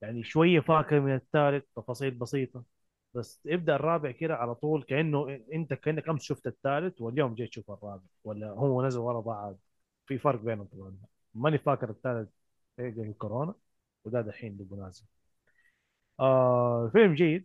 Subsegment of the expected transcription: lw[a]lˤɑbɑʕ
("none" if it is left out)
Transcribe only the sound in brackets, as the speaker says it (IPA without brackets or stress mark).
ɑ